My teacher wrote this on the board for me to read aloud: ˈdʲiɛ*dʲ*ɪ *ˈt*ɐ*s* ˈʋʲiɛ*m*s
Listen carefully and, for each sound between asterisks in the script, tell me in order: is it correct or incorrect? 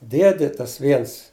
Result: correct, correct, correct, incorrect

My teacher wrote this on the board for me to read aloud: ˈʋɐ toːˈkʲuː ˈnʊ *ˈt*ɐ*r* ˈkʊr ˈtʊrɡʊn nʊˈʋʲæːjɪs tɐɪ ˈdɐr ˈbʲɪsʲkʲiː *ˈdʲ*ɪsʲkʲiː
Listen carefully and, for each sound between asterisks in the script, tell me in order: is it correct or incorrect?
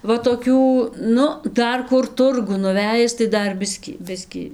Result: incorrect, correct, incorrect

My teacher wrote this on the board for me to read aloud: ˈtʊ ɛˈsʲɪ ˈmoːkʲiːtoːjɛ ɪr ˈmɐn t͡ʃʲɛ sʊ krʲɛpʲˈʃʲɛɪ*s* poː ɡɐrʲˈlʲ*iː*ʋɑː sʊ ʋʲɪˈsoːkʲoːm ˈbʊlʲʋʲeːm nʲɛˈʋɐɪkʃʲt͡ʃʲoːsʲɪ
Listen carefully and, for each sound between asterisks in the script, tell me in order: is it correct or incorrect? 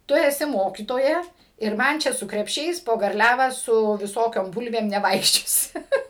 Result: correct, incorrect

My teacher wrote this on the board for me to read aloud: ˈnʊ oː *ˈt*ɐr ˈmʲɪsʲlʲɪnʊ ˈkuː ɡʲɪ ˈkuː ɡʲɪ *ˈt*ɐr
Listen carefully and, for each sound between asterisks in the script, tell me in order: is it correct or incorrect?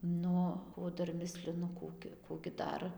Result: incorrect, incorrect

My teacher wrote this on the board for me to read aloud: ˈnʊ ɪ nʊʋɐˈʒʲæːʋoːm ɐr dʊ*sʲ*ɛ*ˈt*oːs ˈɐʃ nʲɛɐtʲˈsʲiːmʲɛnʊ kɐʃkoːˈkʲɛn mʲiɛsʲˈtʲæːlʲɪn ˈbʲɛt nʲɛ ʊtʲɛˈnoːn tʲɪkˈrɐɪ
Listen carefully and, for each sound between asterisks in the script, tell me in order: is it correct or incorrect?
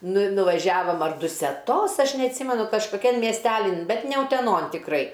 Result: correct, correct

